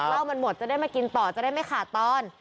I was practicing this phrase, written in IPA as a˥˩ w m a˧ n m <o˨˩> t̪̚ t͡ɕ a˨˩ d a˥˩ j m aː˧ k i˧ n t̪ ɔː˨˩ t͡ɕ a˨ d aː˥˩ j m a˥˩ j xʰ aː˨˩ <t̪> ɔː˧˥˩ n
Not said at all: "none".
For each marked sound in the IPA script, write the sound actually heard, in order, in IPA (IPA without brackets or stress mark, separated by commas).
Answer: o˨˩, t̪